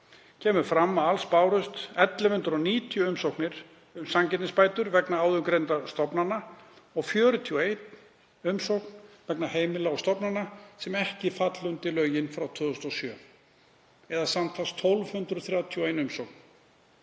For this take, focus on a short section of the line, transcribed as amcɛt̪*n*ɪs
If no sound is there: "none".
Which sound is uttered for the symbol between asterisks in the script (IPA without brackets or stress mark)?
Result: n